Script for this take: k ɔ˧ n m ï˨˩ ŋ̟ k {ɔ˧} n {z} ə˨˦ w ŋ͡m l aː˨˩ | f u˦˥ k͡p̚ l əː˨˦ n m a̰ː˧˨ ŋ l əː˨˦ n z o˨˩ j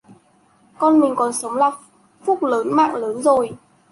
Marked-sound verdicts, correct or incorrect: incorrect: ɔ˨˩, incorrect: s

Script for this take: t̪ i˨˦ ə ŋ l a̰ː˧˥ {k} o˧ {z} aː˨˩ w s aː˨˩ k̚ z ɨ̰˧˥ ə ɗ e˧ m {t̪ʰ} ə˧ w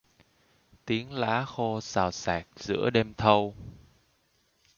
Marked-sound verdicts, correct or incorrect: incorrect: x, incorrect: s, correct

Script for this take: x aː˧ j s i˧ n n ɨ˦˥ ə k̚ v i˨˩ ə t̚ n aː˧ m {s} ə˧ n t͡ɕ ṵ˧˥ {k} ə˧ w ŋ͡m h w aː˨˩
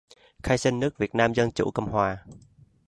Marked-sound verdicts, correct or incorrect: incorrect: z, correct

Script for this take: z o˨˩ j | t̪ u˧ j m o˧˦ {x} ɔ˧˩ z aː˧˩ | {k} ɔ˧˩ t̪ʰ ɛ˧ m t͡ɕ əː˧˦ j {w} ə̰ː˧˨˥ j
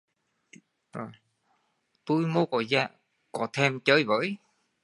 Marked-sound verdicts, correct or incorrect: incorrect: k, correct, incorrect: v

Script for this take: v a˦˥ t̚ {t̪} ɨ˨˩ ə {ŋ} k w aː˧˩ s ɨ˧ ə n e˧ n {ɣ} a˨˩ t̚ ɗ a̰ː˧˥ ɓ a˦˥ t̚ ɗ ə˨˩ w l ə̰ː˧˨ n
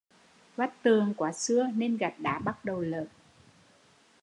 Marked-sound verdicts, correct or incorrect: correct, correct, correct

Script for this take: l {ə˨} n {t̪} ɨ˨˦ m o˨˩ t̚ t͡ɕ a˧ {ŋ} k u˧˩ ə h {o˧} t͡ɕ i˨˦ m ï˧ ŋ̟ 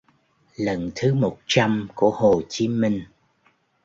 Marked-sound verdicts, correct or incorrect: correct, incorrect: t̪ʰ, incorrect: m, incorrect: o˨˩

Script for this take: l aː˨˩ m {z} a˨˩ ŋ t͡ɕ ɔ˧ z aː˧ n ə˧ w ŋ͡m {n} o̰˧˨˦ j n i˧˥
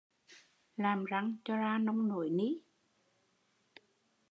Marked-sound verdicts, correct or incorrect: correct, correct

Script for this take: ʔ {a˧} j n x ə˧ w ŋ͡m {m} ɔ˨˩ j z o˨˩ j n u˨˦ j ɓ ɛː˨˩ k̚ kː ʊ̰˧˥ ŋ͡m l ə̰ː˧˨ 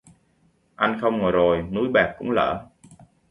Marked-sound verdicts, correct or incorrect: correct, incorrect: ŋ

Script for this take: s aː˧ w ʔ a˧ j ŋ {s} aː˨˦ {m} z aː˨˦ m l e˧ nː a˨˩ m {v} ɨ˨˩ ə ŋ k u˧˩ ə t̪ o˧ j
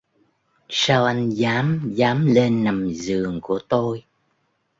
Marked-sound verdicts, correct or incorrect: incorrect: z, correct, incorrect: z

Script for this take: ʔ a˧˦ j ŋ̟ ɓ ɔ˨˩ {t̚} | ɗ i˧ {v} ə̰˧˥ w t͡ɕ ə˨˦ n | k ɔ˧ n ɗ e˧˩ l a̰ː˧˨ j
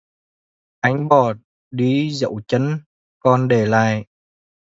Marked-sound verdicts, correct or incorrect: correct, incorrect: z

